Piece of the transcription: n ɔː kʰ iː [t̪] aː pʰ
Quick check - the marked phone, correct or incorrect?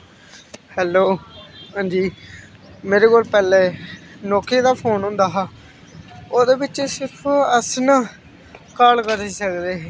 incorrect